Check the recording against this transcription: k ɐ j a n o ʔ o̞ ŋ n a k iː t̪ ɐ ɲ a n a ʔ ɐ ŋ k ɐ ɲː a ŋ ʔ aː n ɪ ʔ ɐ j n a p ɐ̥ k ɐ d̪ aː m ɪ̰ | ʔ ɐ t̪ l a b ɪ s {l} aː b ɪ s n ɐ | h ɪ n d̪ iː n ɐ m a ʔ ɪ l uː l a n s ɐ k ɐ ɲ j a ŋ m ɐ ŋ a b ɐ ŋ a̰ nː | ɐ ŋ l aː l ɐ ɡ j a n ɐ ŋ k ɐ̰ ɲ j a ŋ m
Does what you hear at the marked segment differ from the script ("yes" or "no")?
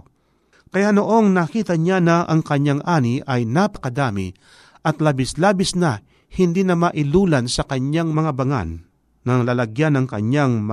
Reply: no